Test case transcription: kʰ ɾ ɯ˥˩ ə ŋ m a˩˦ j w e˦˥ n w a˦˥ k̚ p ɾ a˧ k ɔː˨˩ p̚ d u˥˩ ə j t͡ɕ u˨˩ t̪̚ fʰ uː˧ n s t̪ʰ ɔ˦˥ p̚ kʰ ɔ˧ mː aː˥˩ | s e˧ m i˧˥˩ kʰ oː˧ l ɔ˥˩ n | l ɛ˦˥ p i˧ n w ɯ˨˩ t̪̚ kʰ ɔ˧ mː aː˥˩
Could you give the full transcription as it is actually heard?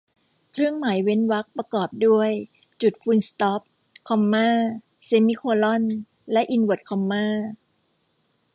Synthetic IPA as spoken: kʰ ɾ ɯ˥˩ ə ŋ m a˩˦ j w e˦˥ n w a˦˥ k̚ p ɾ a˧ k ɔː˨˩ p̚ d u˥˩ ə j t͡ɕ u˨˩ t̪̚ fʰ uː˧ n s t̪ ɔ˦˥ p̚ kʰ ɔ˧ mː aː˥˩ | s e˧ m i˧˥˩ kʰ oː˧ l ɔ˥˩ n | l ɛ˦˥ ʔ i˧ n w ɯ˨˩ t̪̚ kʰ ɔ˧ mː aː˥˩